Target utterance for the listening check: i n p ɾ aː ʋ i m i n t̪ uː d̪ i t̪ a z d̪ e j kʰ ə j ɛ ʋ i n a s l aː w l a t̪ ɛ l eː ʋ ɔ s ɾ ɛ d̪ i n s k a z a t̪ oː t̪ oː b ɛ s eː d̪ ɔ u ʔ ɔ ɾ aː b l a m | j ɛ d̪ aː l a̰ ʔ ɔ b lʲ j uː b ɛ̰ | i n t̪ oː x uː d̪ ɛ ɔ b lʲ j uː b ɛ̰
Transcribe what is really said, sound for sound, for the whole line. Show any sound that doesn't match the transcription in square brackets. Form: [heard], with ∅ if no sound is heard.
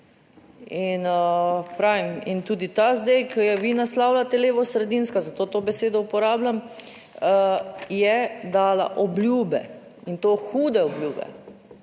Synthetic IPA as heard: i n p ɾ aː ʋ i m i n t̪ uː d̪ i t̪ a z d̪ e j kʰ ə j ɛ ʋ i n a s l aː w l a t̪ ɛ l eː ʋ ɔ s ɾ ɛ d̪ i n s k a z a t̪ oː t̪ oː b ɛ s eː d̪ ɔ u [p] ɔ ɾ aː b l a m | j ɛ d̪ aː l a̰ ʔ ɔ b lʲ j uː b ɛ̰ | i n t̪ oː x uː d̪ ɛ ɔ b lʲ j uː b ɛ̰

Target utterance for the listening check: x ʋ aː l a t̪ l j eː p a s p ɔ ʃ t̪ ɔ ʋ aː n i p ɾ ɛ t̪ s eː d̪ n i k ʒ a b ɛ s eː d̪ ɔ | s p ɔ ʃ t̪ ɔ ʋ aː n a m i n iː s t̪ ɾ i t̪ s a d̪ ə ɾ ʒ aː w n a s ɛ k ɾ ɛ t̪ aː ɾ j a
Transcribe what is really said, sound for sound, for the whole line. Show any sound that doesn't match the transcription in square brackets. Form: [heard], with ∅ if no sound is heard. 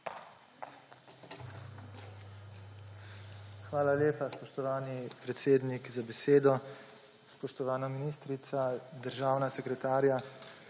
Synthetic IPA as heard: x ʋ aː l a [∅] l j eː p a s p ɔ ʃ t̪ ɔ ʋ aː n i p ɾ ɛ t̪ s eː d̪ n i k [z] a b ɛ s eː d̪ ɔ | s p ɔ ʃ t̪ ɔ ʋ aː n a m i n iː s t̪ ɾ i t̪ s a d̪ ə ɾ ʒ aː w n a s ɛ k ɾ ɛ t̪ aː ɾ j a

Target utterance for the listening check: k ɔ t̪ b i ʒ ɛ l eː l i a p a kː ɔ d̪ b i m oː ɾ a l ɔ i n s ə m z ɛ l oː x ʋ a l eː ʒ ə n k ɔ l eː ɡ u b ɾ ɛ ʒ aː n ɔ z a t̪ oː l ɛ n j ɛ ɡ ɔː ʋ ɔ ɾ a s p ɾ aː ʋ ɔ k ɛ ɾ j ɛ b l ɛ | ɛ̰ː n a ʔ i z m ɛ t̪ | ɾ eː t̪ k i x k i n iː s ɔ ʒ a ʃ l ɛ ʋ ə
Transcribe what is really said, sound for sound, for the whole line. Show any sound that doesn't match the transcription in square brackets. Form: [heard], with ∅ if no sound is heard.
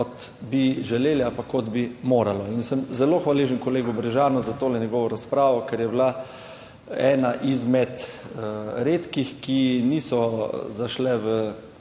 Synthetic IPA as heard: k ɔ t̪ b i ʒ ɛ l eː l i a p a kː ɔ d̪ b i m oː ɾ a l ɔ i n s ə m z ɛ l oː x ʋ a l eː ʒ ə n k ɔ l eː ɡ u b ɾ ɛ ʒ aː n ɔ z a t̪ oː l ɛ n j ɛ ɡ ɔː ʋ ɔ ɾ a s p ɾ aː ʋ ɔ k ɛ ɾ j ɛ b l [a] | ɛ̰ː n a ʔ i z m ɛ t̪ | ɾ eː t̪ k i x k i n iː s ɔ [z] a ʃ l ɛ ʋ ə

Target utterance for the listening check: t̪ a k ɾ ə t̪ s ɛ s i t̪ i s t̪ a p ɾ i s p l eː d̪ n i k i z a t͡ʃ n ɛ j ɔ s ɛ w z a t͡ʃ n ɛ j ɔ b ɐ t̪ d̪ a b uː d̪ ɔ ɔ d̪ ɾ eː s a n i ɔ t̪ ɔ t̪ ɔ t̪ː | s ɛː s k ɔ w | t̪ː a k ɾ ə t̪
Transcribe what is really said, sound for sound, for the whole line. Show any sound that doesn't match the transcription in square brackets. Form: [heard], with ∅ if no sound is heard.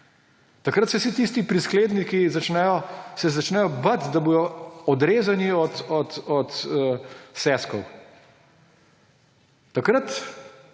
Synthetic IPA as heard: t̪ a k ɾ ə t̪ s ɛ s i t̪ i s t̪ [i] p ɾ i s [k] l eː d̪ n i k i z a t͡ʃ n ɛ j ɔ s ɛ [∅] z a t͡ʃ n ɛ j ɔ b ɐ t̪ d̪ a b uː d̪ ɔ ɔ d̪ ɾ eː [z] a n i ɔ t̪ ɔ t̪ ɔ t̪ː | s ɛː s k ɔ w | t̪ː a k ɾ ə t̪

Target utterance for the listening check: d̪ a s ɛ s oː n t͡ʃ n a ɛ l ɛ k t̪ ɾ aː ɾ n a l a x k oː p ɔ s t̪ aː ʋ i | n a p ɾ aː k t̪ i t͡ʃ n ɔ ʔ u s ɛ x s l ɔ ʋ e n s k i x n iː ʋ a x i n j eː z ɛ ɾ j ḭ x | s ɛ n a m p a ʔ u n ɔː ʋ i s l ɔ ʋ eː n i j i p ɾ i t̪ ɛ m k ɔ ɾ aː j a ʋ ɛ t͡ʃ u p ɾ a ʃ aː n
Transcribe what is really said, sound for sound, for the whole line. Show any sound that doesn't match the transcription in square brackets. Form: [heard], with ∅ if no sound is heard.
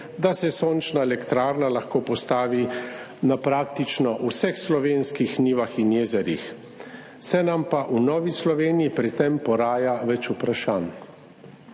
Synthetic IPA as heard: d̪ a s ɛ s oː n t͡ʃ n a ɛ l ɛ k t̪ ɾ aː ɾ n a l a x k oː p ɔ s t̪ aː ʋ i | n a p ɾ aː k t̪ i t͡ʃ n ɔ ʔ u s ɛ x s l ɔ ʋ e n s k i x n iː ʋ a x i n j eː z ɛ ɾ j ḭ x | s ɛ n a m p a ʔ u n ɔː ʋ i s l ɔ ʋ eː n i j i p ɾ i t̪ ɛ m [p] ɔ ɾ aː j a ʋ ɛ t͡ʃ u p ɾ a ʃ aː n

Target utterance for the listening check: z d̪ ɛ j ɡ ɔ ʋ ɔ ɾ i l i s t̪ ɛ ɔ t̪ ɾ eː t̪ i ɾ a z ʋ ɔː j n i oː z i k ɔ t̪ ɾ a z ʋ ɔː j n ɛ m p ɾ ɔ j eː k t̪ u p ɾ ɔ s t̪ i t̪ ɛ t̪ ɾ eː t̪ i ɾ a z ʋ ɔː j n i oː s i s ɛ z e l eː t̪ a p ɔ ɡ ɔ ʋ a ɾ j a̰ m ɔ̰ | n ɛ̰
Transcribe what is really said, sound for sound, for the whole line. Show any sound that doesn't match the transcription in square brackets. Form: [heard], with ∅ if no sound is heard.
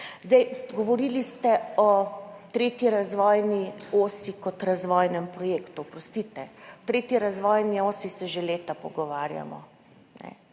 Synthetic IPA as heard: z d̪ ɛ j ɡ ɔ ʋ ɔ ɾ i l i s t̪ ɛ ɔ t̪ ɾ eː t̪ i ɾ a z ʋ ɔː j n i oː [s] i k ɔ t̪ ɾ a z ʋ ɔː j n ɛ m p ɾ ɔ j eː k t̪ u p ɾ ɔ s t̪ i t̪ ɛ t̪ ɾ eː t̪ i ɾ a z ʋ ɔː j n i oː s i s ɛ [ʒ] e l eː t̪ a p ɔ ɡ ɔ ʋ a ɾ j a̰ m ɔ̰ | n ɛ̰

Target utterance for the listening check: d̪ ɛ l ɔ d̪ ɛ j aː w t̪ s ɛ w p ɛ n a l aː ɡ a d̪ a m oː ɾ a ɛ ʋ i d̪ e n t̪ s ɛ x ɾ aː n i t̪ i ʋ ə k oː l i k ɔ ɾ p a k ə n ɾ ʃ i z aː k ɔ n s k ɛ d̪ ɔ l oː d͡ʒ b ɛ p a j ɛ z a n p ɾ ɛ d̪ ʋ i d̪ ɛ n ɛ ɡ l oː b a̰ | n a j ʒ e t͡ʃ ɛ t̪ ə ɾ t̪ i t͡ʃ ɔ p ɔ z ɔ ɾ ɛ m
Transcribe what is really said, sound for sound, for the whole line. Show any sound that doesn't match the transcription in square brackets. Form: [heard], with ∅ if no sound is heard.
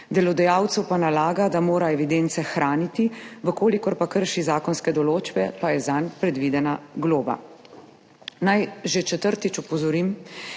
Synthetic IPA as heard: d̪ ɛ l ɔ d̪ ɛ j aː w t̪ s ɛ w p [a] n a l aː ɡ a d̪ a m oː ɾ a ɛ ʋ i d̪ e n t̪ s ɛ x ɾ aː n i t̪ i ʋ ə k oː l i k ɔ ɾ p a k ə [∅] ɾ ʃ i z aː k ɔ n s k ɛ d̪ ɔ l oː d͡ʒ b ɛ p a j ɛ z a n p ɾ ɛ d̪ ʋ i d̪ ɛ n [a] ɡ l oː b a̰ | n a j ʒ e t͡ʃ ɛ t̪ ə ɾ t̪ i t͡ʃ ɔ p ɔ z ɔ ɾ [i] m

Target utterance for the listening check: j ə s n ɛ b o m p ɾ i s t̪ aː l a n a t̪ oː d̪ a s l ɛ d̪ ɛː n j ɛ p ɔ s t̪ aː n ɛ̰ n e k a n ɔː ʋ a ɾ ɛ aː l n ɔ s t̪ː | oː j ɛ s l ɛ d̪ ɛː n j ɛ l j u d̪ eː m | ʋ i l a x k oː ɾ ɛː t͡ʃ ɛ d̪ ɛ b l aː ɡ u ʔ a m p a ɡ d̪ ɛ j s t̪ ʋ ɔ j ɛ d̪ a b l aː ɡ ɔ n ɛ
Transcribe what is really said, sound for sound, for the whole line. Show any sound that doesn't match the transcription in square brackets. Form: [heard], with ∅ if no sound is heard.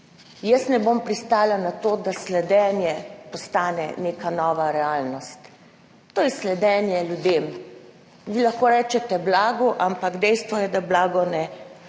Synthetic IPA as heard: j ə s n ɛ b o m p ɾ i s t̪ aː l a n a t̪ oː d̪ a s l ɛ d̪ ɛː n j ɛ p ɔ s t̪ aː n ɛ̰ n e k a n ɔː ʋ a ɾ ɛ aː l n ɔ s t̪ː | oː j ɛ s l ɛ d̪ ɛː n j ɛ l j u d̪ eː m | ʋ i l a x k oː ɾ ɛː t͡ʃ ɛ [t̪] ɛ b l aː ɡ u ʔ a m p a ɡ d̪ ɛ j s t̪ ʋ ɔ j ɛ d̪ a b l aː ɡ ɔ n ɛ

